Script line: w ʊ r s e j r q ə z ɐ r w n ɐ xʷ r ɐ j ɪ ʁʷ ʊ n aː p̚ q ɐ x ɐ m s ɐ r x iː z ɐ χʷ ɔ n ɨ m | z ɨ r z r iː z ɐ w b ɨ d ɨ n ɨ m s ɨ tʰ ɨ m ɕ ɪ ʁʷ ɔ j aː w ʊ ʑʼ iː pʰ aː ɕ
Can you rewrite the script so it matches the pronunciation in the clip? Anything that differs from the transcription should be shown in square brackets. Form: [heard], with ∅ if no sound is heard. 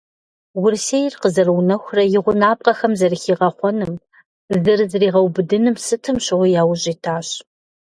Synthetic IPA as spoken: w ʊ r s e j r q ə z ɐ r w n ɐ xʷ r ɐ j ɪ ʁʷ ʊ n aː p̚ q ɐ x ɐ m [z] ɐ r x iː [ʁ] ɐ χʷ ɔ n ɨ m | z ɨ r z r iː [ʁ] ɐ w b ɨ d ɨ n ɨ m s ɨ tʰ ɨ m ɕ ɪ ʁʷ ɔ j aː w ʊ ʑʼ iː [tʰ] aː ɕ